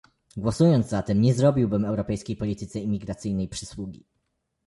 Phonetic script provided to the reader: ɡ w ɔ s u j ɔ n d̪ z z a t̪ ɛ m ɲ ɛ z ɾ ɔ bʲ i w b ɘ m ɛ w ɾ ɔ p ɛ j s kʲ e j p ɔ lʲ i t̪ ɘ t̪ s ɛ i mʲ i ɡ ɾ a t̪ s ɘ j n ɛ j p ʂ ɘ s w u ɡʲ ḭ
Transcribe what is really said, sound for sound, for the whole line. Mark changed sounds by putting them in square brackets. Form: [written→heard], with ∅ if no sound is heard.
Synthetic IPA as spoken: ɡ w ɔ s u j ɔ n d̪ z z a t̪ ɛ m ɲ ɛ z ɾ ɔ bʲ i w b ɘ m ɛ w ɾ ɔ p ɛ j s kʲ e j p ɔ lʲ i t̪ ɘ t̪ s ɛ i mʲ i ɡ ɾ a t̪ s ɘ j n ɛ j p ʂ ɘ s w u ɡʲ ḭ